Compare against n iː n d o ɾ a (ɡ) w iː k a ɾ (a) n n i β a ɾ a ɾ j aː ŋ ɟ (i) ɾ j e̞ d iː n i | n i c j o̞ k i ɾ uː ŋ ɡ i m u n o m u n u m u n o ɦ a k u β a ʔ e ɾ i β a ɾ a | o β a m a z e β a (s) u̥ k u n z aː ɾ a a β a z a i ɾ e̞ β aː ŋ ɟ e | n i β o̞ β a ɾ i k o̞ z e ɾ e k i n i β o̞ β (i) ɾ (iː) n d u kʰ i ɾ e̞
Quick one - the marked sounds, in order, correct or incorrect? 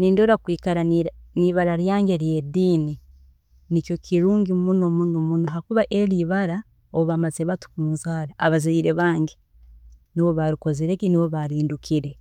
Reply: incorrect: k, correct, incorrect: e, incorrect: t, incorrect: a, correct

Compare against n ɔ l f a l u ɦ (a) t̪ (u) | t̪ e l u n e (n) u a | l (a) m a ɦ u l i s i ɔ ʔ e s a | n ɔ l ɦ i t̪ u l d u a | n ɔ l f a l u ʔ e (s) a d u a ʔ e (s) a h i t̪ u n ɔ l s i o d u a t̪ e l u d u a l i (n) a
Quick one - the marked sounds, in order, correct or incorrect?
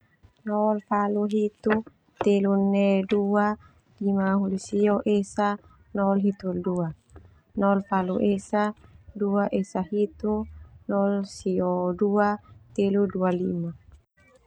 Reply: incorrect: i, correct, incorrect: d, incorrect: i, correct, correct, incorrect: m

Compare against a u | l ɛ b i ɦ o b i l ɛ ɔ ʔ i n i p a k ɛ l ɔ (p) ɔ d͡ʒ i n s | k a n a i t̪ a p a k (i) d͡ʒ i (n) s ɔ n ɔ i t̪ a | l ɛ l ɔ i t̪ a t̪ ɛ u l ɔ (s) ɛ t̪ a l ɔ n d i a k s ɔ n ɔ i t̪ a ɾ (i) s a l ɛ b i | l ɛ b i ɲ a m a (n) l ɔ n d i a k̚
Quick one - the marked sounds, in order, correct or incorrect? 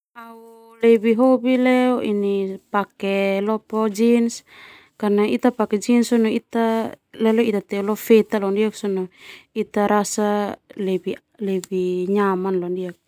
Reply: correct, incorrect: ɛ, correct, incorrect: f, incorrect: a, correct

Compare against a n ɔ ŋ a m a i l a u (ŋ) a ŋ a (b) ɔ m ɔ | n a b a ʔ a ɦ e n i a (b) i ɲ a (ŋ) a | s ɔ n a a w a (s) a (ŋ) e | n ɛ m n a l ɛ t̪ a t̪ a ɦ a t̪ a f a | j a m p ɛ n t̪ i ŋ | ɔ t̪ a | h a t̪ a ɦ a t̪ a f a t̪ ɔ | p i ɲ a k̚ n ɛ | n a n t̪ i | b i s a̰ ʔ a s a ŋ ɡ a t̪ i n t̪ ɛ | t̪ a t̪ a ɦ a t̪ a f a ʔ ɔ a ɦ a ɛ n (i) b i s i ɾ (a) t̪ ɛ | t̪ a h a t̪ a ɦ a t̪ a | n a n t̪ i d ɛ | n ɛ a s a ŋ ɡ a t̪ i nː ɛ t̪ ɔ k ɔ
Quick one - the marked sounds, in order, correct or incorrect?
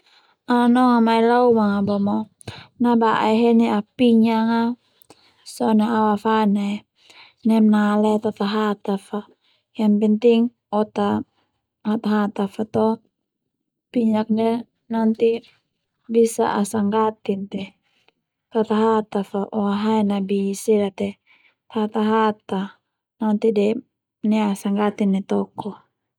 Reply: incorrect: m, correct, incorrect: p, correct, incorrect: f, incorrect: n, incorrect: a, correct

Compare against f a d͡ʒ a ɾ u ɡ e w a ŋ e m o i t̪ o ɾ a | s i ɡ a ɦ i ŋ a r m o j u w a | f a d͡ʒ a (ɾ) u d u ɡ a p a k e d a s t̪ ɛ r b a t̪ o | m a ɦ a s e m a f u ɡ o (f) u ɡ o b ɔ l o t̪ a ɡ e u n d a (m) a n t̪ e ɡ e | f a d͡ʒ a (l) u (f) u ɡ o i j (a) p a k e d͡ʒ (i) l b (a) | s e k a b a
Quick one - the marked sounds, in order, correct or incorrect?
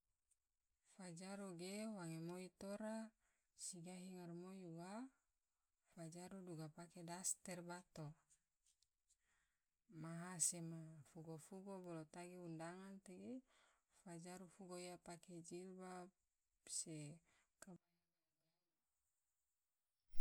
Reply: correct, correct, incorrect: ŋ, incorrect: ɾ, correct, correct, correct, correct

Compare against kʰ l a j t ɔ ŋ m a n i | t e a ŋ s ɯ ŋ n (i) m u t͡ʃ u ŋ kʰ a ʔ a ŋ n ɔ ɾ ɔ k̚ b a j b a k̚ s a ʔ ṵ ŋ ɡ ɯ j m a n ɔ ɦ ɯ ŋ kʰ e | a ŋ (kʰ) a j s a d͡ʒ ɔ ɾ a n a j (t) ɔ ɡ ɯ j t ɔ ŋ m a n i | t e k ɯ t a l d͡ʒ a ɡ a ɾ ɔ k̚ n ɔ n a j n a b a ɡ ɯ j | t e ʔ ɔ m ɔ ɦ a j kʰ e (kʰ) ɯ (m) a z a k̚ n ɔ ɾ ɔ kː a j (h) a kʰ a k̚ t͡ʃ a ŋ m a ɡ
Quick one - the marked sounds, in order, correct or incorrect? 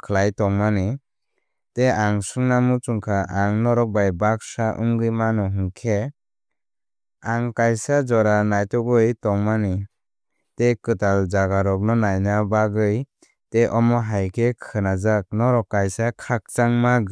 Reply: incorrect: a, incorrect: k, correct, correct, incorrect: n, incorrect: s

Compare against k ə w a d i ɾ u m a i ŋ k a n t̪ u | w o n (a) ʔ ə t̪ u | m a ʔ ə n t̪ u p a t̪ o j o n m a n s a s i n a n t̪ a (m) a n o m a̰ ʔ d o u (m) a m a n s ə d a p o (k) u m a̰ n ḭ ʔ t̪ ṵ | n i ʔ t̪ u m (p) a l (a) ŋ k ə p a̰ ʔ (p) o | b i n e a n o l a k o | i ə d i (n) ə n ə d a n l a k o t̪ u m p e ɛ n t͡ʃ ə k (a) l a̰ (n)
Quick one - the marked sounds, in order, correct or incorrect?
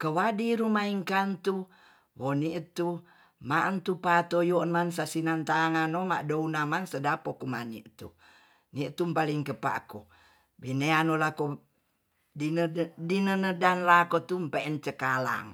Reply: incorrect: i, incorrect: ŋ, incorrect: n, correct, correct, incorrect: i, incorrect: k, correct, correct, incorrect: ŋ

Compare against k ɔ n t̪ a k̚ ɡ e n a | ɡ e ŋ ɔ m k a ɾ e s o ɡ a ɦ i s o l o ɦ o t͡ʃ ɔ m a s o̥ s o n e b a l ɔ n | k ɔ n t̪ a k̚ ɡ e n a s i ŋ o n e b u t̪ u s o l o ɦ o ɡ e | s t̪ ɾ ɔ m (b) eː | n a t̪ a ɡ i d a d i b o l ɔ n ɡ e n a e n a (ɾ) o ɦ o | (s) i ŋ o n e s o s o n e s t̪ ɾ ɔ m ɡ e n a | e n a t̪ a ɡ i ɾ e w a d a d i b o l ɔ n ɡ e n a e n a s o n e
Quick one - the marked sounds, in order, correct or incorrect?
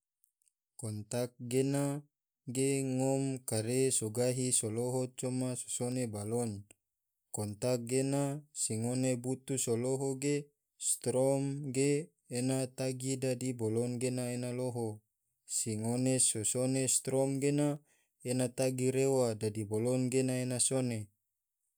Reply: incorrect: ɡ, incorrect: l, correct

